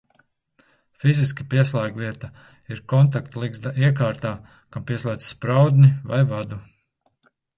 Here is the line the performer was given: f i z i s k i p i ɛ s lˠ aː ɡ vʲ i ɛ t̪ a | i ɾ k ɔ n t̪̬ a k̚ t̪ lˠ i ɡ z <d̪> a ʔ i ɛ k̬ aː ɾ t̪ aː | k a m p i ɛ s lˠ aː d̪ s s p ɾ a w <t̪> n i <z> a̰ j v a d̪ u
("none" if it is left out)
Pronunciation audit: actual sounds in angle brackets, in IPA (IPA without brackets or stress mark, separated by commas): d̪, d̪, v